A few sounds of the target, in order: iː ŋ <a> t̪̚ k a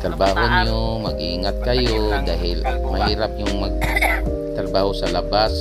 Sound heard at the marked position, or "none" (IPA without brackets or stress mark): a